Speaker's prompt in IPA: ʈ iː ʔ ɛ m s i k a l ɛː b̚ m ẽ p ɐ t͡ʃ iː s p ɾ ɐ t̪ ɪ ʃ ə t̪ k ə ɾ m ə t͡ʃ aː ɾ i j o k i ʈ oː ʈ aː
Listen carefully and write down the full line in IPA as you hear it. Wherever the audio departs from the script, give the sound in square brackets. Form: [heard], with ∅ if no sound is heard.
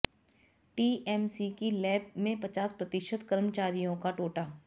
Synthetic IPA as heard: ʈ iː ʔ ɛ m s i k [i] l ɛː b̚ m ẽ p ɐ t͡ʃ [aː] s p ɾ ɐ t̪ ɪ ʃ ə t̪ k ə ɾ m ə t͡ʃ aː ɾ i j [õ] k [a] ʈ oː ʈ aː